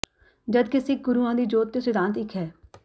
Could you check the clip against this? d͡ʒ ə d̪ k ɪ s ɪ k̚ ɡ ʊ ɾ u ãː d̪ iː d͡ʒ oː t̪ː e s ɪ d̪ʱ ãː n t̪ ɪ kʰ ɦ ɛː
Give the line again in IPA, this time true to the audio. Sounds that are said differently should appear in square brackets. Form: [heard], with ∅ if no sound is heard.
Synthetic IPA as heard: d͡ʒ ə d̪ k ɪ s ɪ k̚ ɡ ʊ ɾ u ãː d̪ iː d͡ʒ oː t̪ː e s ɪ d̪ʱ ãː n t̪ ɪ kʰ ɦ ɛː